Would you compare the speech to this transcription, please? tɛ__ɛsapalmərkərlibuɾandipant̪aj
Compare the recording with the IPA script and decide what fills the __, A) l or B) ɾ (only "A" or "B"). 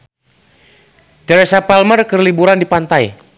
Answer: B